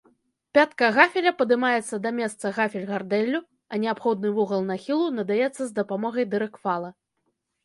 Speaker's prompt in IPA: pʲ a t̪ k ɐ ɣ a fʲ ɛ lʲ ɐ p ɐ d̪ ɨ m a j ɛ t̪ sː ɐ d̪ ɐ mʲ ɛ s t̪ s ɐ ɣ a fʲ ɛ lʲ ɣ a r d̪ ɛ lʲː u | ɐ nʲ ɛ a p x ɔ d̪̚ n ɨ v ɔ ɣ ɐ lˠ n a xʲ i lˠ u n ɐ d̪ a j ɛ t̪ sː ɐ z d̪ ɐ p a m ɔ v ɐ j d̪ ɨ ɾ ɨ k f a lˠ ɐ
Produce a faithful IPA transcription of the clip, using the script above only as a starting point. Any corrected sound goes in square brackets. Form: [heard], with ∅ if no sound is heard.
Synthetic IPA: pʲ a t̪ k ɐ ɣ a fʲ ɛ lʲ ɐ p ɐ d̪ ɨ m a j ɛ t̪ sː ɐ d̪ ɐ mʲ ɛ s t̪ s ɐ ɣ a fʲ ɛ lʲ ɣ a r d̪ ɛ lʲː u | ɐ nʲ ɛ a p x ɔ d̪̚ n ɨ v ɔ ɣ ɐ lˠ n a xʲ i lˠ u n ɐ d̪ a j ɛ t̪ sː ɐ z d̪ ɐ p a m ɔ [ɣ] ɐ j d̪ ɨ ɾ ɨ k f a lˠ ɐ